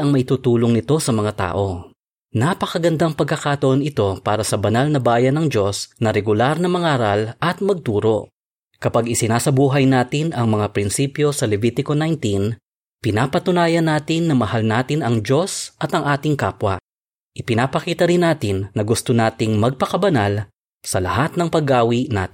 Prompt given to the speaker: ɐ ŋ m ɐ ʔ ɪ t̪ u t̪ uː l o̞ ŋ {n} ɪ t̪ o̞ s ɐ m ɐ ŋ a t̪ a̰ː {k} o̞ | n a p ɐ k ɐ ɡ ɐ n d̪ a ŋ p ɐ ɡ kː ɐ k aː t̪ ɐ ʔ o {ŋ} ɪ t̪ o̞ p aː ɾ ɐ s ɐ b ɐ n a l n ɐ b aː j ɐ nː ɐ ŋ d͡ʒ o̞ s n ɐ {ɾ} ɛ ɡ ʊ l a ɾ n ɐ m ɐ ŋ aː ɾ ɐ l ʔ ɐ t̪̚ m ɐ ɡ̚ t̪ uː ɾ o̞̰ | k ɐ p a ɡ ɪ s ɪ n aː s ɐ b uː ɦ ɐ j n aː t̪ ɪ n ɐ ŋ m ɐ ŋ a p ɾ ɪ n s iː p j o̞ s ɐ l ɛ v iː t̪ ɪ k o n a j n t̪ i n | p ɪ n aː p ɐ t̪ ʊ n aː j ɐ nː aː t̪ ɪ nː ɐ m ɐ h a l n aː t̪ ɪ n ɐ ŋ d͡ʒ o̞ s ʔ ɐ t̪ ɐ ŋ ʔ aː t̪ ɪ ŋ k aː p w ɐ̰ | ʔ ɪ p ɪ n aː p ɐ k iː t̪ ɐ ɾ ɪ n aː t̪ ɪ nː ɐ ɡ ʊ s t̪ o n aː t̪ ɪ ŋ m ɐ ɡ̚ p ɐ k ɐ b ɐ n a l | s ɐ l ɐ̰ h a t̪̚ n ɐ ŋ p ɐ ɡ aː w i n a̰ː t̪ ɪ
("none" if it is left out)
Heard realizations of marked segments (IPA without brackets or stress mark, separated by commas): n, ʔ, n, ɾ